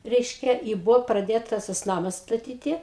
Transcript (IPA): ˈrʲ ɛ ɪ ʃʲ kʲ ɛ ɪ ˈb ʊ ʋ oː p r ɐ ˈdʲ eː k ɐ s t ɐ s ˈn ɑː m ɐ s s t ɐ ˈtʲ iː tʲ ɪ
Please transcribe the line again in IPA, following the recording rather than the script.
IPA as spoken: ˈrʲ ɛ ɪ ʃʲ kʲ ɛ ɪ ˈb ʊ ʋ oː p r ɐ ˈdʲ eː t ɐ s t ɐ s ˈn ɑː m ɐ s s t ɐ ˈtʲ iː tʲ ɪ